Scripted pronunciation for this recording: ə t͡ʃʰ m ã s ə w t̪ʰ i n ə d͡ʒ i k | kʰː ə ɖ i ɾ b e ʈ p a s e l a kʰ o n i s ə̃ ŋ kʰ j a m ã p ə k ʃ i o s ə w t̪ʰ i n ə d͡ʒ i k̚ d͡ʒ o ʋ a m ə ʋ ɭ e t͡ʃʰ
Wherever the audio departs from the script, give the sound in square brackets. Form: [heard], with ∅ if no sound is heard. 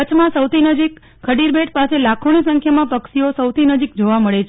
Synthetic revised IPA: ə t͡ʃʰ m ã s ə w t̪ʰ i n ə d͡ʒ i k | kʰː ə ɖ i ɾ b e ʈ p a s e l a kʰ o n i s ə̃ ŋ kʰ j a m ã p ə k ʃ i o s ə w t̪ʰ i n ə d͡ʒ i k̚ d͡ʒ o ʋ a m ə [∅] ɭ e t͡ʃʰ